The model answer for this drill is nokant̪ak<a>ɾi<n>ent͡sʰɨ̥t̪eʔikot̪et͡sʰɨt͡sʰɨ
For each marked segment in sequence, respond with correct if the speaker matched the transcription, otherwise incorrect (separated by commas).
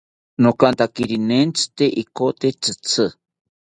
incorrect, correct